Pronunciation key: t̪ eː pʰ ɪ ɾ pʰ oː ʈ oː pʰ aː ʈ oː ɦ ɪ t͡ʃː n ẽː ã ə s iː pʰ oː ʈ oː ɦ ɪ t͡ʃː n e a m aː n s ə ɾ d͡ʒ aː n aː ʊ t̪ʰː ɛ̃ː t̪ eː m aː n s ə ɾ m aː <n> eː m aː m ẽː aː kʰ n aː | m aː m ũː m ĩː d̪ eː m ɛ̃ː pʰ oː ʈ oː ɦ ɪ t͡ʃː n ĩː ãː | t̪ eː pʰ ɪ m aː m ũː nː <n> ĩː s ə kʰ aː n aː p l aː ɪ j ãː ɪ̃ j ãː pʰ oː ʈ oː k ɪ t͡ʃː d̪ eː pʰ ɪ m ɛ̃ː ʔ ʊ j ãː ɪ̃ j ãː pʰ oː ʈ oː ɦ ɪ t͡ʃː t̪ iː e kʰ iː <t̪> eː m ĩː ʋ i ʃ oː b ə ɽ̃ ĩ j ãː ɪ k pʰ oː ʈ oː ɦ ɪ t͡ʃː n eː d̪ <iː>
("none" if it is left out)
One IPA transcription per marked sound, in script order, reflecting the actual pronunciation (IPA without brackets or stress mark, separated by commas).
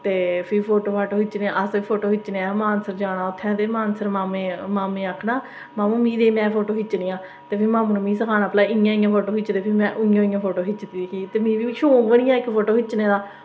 m, m, t̪, aː